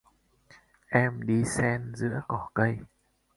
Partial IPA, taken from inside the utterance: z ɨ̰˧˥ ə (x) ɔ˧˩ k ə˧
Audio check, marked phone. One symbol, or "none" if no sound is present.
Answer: k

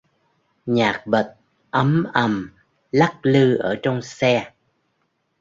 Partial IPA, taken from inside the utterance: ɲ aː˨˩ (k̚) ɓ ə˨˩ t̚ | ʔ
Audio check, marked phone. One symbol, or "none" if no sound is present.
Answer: k̚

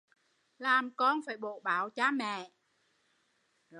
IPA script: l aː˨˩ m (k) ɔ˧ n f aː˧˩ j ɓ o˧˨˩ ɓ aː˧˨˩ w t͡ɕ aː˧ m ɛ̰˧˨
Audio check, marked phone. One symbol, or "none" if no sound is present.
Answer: k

